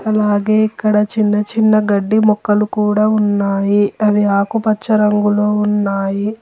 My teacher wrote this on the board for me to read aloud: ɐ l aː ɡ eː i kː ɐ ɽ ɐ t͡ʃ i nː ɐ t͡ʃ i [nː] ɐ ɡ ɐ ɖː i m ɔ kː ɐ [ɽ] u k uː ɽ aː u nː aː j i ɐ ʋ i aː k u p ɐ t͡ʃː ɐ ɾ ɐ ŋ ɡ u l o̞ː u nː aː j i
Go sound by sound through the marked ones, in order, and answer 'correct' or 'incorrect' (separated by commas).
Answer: correct, incorrect